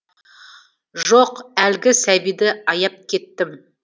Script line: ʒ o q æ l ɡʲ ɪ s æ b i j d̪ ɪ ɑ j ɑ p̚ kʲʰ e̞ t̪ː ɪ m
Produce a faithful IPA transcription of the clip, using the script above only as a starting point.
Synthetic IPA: ʒ o q æ l ɡʲ ɪ s æ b i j d̪ ɪ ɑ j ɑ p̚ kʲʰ e̞ t̪ː ɪ m